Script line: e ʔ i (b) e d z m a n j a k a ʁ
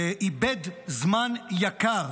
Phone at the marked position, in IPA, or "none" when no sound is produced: b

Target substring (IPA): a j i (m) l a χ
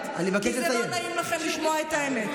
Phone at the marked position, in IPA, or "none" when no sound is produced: m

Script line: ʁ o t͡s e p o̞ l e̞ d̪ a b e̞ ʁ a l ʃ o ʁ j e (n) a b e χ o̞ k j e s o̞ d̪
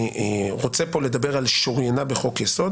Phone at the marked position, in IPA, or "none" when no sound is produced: n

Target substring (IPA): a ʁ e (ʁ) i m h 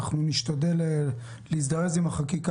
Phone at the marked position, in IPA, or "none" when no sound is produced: z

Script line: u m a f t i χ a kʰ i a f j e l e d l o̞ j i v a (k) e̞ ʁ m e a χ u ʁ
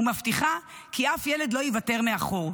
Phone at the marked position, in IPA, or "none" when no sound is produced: t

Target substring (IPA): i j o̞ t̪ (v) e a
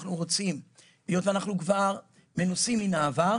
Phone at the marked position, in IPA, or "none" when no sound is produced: v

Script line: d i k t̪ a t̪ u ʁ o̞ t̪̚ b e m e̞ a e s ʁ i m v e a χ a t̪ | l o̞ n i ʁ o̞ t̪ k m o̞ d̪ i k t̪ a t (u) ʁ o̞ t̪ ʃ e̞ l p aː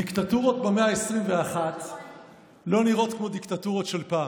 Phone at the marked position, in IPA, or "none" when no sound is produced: u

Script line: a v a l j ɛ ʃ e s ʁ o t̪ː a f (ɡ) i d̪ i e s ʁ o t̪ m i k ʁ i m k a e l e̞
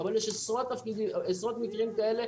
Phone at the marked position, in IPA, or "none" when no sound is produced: k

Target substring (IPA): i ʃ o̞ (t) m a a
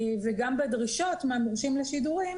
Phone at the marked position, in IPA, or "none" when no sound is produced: t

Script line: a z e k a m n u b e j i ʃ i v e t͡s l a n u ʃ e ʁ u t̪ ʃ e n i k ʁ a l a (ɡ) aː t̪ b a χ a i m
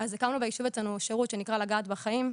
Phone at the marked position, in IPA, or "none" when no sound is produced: ɡ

